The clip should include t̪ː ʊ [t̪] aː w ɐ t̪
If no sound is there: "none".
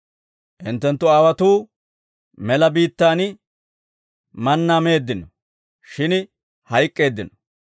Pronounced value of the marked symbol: none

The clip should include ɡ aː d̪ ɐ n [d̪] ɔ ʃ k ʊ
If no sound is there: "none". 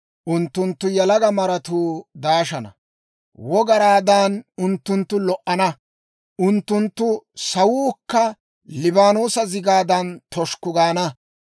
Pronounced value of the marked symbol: t̪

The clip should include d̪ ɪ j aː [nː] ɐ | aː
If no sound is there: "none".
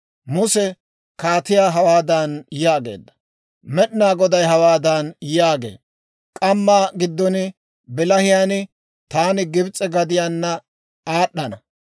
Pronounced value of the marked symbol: nː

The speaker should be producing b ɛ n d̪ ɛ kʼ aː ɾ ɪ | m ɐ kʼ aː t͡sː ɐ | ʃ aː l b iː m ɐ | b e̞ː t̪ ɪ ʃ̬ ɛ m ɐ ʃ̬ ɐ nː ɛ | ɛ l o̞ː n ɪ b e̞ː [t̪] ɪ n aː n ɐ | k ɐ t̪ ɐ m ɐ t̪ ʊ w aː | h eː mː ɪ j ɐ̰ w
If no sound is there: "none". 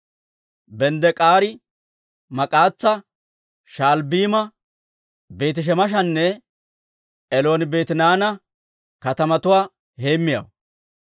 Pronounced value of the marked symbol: t̪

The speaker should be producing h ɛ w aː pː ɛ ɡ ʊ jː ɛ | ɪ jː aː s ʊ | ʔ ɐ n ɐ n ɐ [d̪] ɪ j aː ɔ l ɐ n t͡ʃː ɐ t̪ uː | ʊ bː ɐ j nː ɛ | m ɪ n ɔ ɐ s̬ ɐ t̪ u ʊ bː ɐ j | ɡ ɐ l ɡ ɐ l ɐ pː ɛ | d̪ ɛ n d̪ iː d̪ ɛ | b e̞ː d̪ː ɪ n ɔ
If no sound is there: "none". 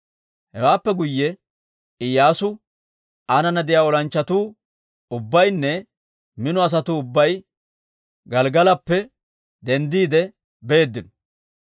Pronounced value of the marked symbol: d̪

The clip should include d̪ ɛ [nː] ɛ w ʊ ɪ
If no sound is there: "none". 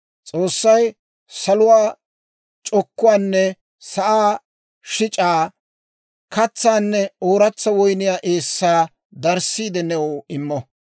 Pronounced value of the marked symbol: n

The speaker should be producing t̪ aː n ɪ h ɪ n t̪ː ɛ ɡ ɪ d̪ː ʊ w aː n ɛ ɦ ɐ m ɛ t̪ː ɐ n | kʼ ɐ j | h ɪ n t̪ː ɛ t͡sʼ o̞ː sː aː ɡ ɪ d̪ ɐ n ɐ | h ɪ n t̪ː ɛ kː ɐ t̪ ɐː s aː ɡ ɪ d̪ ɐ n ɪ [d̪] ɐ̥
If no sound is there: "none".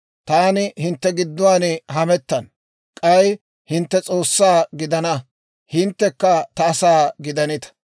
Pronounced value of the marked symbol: t̪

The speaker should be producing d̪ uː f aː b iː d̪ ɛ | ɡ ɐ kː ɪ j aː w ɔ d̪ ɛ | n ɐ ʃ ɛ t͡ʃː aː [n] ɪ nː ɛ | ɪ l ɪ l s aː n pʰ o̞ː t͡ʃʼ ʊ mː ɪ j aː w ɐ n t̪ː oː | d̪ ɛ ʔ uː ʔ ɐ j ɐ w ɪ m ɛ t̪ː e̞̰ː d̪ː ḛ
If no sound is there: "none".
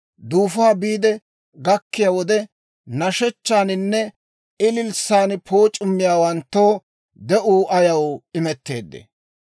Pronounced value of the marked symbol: n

